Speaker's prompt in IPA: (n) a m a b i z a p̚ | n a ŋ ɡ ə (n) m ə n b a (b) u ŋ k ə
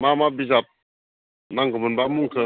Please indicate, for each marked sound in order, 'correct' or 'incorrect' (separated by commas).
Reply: incorrect, incorrect, incorrect